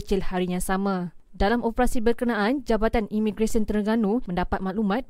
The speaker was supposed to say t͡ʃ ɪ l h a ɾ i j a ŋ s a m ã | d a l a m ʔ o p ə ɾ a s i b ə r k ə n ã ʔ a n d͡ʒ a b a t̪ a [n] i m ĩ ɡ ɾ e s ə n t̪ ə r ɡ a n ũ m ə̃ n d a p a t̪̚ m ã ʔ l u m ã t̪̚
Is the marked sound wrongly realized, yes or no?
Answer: no